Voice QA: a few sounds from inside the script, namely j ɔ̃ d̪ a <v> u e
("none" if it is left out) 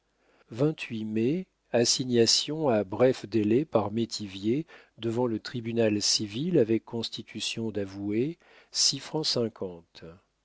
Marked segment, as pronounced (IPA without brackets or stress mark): v